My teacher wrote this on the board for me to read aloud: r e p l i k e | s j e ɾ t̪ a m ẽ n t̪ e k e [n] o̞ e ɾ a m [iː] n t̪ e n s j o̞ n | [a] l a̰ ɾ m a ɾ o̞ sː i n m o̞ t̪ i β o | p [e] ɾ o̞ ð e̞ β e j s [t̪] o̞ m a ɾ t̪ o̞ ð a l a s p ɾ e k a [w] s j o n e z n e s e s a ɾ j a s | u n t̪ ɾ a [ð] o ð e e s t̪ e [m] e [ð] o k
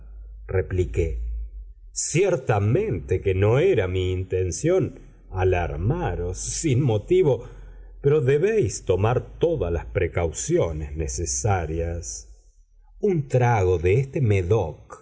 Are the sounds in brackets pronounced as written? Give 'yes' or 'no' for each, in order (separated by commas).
yes, yes, yes, yes, yes, yes, no, yes, yes